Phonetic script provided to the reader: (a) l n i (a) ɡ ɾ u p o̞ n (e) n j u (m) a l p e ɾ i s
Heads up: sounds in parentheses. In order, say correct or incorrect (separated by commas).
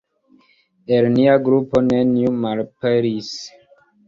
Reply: incorrect, correct, correct, correct